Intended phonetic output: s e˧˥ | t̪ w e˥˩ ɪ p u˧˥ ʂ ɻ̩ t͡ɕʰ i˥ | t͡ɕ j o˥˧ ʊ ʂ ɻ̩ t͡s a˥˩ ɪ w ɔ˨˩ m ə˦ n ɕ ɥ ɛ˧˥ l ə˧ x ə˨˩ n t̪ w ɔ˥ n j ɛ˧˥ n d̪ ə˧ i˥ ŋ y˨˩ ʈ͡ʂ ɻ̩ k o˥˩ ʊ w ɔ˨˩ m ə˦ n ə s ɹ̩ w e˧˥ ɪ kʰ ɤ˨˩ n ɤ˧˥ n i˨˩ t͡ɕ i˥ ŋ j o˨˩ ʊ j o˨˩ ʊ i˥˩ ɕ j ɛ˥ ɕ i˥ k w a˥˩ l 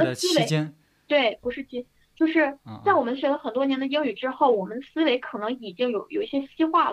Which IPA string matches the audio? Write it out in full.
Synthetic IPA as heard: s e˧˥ | t̪ w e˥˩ ɪ p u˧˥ ʂ ɻ̩ t͡ɕ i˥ | t͡ɕ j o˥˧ ʊ ʂ ɻ̩ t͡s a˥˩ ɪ w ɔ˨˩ m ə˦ n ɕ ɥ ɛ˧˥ l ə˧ x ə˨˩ n t̪ w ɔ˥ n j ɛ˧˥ n d̪ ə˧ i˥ ŋ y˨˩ ʈ͡ʂ ɻ̩ x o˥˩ ʊ w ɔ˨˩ m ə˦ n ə s ɹ̩ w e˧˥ ɪ kʰ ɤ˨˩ n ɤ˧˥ ŋ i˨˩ t͡ɕ i˥ ŋ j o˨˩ ʊ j o˨˩ ʊ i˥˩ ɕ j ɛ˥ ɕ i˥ x w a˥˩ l